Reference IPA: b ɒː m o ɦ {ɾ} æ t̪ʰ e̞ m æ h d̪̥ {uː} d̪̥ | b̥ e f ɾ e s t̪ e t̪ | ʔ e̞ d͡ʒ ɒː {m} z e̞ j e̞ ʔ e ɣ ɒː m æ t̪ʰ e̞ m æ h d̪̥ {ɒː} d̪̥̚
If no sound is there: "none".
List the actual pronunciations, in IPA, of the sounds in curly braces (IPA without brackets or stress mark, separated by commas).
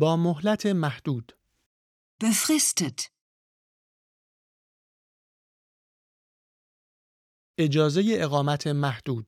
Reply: l, uː, none, uː